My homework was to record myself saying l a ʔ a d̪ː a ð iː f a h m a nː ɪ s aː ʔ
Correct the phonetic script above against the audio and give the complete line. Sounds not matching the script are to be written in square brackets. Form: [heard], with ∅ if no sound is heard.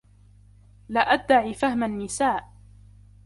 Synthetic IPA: l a ʔ a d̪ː a [ʕ] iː f a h m a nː ɪ s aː ʔ

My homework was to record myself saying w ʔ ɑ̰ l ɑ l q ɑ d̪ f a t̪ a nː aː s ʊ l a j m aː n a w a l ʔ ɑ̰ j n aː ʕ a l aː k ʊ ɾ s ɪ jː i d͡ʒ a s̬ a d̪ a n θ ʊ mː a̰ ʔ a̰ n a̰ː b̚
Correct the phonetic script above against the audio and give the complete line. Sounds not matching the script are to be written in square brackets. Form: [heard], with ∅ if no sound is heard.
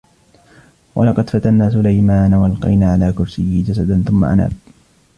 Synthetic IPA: w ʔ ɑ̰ l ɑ [∅] q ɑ d̪ f a t̪ a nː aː s ʊ l a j m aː n a w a l [q] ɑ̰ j n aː ʕ a l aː k ʊ ɾ s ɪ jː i d͡ʒ a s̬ a d̪ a n θ ʊ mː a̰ ʔ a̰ n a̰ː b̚

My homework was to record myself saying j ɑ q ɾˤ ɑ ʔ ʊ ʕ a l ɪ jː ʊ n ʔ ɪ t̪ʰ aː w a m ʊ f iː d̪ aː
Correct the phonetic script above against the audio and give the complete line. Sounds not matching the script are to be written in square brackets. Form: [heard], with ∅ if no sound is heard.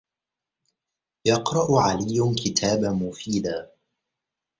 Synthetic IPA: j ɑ q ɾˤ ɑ ʔ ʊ ʕ a l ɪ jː ʊ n [k] ɪ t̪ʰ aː [b] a m ʊ f iː d̪ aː

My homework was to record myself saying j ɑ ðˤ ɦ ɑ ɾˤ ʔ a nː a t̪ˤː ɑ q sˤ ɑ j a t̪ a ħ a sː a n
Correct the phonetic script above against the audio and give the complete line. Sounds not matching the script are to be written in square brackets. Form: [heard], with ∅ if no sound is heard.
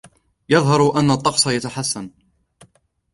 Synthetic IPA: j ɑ ðˤ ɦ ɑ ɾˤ ʔ a nː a t̪ˤː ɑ q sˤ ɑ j a t̪ a ħ a sː a n

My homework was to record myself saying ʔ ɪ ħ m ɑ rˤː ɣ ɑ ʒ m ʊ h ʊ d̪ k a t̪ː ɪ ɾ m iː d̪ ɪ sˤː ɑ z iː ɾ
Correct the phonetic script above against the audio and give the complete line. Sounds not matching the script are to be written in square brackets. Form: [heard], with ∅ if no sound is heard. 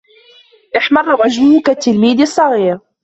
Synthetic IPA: ʔ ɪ ħ m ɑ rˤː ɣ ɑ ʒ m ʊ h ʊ [∅] k a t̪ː ɪ [l] m iː d̪ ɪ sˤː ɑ [ɣ] iː ɾ

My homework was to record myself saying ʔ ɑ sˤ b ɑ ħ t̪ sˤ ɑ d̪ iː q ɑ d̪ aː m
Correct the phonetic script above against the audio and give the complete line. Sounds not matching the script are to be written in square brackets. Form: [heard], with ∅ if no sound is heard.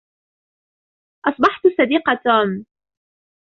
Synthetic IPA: ʔ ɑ sˤ b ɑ ħ t̪ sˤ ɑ d̪ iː q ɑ [t̪] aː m

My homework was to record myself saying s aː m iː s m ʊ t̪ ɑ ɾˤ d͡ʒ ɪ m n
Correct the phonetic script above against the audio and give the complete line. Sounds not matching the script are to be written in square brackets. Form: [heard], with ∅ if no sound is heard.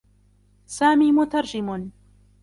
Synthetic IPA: s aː m iː [∅] m ʊ t̪ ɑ ɾˤ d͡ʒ ɪ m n

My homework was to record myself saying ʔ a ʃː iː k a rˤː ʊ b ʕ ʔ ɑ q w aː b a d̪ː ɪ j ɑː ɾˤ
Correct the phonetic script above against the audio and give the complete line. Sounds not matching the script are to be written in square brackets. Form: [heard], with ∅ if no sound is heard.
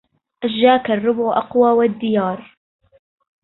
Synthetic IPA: ʔ a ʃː [aː] k a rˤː ʊ b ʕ ʔ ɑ q w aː [w] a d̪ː ɪ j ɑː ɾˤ

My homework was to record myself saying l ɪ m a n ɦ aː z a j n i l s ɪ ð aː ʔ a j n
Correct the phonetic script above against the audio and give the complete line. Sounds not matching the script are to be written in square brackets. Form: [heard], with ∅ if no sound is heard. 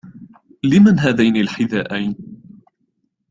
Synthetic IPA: l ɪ m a n ɦ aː [ð] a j n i l [ħ] ɪ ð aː ʔ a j n

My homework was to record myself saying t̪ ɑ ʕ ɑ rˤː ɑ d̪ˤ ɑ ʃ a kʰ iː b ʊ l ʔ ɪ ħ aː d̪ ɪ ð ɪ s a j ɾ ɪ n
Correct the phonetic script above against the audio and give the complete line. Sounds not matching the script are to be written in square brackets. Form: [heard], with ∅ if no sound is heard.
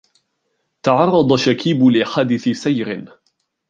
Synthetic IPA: t̪ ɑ ʕ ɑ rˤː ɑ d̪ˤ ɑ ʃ a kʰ iː b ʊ l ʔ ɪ ħ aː d̪ ɪ [θ] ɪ s a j ɾ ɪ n

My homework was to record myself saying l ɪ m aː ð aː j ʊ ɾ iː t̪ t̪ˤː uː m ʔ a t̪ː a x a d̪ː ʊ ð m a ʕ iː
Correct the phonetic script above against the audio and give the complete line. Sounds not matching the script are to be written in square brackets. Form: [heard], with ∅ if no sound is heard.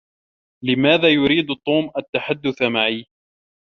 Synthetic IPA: l ɪ m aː ð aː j ʊ ɾ iː [d̪] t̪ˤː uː m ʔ a t̪ː a [ħ] a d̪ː ʊ [θ] m a ʕ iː

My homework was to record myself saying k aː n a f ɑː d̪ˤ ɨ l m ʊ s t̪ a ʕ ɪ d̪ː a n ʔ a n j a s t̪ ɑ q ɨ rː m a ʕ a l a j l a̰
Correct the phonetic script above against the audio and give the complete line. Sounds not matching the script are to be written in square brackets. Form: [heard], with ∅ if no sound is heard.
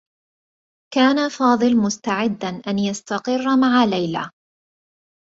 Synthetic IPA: k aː n a f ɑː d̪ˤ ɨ l m ʊ s t̪ a ʕ ɪ d̪ː a n ʔ a n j a s t̪ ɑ q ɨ rː m a ʕ a l a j l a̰

